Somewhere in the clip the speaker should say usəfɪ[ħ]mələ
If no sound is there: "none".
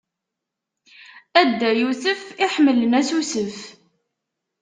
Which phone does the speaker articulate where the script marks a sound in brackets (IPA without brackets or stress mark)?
ħ